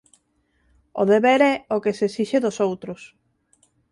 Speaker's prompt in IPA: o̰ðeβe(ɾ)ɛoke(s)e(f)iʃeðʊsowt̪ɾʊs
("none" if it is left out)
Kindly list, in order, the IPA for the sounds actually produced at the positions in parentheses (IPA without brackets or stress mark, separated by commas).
ɾ, s, s